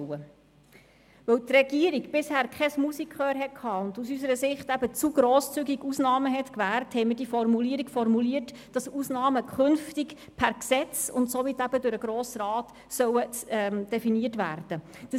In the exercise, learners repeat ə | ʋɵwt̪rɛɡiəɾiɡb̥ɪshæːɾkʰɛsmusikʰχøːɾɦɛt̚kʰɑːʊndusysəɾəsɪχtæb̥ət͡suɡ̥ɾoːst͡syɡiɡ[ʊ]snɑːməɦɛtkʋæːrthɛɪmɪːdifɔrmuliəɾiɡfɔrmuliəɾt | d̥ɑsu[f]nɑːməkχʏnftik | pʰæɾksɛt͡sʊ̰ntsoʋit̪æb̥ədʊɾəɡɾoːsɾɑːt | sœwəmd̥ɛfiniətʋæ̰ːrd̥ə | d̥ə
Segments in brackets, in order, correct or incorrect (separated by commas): incorrect, incorrect